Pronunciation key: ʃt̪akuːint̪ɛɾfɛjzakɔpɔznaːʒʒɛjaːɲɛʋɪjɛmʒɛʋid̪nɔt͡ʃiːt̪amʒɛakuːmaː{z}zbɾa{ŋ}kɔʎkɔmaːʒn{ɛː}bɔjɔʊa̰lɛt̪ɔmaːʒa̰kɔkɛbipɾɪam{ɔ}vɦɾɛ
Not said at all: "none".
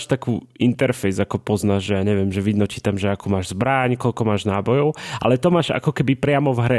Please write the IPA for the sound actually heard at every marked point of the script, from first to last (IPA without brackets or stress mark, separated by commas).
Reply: ʒ, ɲ, aː, ɔ